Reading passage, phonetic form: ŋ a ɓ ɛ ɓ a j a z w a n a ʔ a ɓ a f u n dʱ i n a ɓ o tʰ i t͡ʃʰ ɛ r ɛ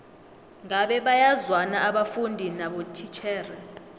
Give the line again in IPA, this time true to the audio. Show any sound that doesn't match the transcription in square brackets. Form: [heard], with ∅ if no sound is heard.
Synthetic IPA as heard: ŋ a ɓ ɛ ɓ a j a z w a n a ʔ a ɓ a f u n dʱ i n a ɓ o tʰ i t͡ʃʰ [ɛː] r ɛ